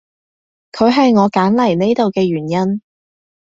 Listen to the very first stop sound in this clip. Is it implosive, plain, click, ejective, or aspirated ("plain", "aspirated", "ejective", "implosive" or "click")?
aspirated